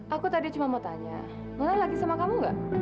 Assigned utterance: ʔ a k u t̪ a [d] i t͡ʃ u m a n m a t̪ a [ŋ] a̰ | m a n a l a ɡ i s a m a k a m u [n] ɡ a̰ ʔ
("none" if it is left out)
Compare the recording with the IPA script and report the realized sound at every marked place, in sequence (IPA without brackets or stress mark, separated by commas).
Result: d, ɲ, ŋ